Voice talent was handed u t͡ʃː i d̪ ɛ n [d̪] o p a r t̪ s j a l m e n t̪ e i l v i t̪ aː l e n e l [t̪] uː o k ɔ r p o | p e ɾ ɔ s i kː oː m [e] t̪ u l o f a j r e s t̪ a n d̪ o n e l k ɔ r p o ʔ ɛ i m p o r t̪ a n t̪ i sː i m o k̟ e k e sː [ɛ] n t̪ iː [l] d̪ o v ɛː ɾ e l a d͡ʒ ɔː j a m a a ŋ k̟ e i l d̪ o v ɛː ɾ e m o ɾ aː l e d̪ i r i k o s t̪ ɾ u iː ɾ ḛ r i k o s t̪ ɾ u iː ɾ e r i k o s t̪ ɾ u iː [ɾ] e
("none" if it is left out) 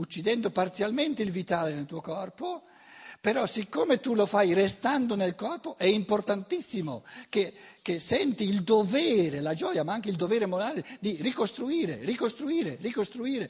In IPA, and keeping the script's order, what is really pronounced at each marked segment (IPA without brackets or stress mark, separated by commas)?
d̪, t̪, e, ɛ, l, ɾ